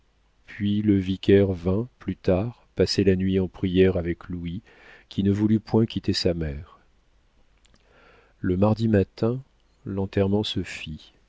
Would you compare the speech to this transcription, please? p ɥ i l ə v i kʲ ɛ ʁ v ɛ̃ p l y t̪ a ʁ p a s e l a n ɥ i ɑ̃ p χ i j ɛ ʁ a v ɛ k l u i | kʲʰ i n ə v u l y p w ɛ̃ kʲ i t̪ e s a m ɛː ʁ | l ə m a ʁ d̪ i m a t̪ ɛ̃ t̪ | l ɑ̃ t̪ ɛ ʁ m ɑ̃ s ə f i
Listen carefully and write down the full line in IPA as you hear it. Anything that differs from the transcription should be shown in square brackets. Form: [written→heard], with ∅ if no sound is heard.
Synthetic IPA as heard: p ɥ i l ə v i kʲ ɛ ʁ v ɛ̃ p l y t̪ a ʁ p a s e l a n ɥ i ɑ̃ p χ i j ɛ ʁ a v ɛ k l u i | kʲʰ i n ə v u l y p w ɛ̃ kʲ i t̪ e s a m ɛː ʁ | l ə m a ʁ d̪ i m a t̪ ɛ̃ [t̪→∅] | l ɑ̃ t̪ ɛ ʁ m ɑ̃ s ə f i